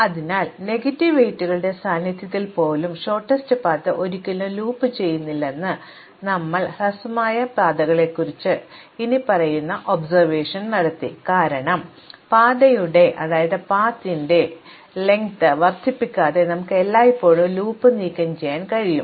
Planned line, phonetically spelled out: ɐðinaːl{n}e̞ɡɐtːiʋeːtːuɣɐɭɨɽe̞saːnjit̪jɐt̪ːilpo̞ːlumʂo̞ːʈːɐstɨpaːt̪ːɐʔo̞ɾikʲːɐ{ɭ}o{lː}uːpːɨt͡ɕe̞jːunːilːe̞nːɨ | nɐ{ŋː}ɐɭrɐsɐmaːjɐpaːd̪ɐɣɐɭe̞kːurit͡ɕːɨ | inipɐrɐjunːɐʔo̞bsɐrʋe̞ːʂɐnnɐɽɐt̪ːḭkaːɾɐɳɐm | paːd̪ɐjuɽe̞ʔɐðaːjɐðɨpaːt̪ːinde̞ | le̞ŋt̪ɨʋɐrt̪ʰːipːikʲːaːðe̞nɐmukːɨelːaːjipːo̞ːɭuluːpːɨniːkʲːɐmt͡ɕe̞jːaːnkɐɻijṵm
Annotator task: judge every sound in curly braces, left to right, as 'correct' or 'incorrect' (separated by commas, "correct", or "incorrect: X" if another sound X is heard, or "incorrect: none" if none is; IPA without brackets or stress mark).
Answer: correct, incorrect: l, incorrect: l, incorrect: mː